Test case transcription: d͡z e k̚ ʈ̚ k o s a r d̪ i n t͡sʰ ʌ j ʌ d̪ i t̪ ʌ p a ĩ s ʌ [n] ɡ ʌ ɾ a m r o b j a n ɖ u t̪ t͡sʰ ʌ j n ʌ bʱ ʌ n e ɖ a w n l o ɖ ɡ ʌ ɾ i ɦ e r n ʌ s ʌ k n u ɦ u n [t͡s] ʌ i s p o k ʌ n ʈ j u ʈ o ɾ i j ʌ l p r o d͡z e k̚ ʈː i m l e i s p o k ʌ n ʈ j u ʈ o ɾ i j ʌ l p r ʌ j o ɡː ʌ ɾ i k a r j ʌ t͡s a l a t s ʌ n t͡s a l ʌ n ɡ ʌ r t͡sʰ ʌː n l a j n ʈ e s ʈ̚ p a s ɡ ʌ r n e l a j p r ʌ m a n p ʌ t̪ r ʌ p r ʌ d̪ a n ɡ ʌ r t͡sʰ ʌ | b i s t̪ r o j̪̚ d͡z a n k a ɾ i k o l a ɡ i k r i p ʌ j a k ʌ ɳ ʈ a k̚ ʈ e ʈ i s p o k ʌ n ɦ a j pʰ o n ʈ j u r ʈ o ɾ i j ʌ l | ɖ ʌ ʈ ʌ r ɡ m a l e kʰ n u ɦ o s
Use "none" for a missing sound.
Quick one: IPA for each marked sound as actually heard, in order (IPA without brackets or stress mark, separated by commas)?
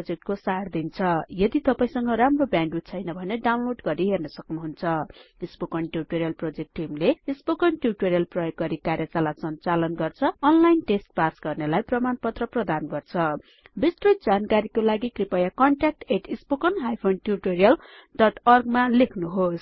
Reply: ŋ, t͡sʰ